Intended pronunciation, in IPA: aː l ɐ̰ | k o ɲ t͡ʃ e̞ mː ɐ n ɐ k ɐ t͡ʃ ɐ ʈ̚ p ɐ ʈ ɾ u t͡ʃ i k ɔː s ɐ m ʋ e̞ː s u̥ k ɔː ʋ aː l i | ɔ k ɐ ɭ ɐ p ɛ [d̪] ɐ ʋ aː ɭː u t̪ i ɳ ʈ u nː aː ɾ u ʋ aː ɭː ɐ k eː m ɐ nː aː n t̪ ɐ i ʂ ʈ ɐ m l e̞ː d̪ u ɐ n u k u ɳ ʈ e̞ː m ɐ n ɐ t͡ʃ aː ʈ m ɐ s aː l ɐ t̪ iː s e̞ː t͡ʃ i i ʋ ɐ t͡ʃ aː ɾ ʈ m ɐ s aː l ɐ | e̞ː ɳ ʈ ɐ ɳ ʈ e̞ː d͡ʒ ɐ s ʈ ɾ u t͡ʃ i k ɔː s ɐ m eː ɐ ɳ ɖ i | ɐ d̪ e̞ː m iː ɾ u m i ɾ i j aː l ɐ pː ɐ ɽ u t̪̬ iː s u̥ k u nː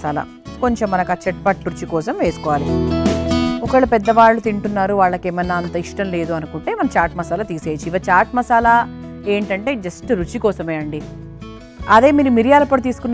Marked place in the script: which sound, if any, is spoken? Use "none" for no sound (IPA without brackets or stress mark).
d̪ː